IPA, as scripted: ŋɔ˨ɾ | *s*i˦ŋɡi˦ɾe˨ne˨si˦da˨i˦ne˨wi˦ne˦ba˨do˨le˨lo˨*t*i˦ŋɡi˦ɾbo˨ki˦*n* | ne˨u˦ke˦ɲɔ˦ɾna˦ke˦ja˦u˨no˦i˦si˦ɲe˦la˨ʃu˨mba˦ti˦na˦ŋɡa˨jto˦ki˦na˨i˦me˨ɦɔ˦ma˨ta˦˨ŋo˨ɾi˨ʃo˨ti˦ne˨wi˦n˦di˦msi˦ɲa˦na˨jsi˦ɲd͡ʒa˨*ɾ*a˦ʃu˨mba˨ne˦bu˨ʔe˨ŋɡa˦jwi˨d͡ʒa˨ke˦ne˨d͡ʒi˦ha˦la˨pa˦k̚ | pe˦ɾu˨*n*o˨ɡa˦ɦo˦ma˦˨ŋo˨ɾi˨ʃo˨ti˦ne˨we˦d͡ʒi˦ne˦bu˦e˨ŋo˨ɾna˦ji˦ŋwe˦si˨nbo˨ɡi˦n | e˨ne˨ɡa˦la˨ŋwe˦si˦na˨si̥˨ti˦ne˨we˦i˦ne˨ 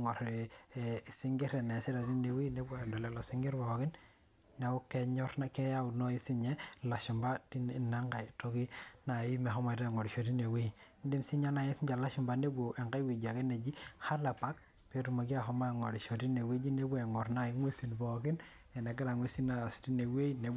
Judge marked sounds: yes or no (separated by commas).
yes, no, yes, no, no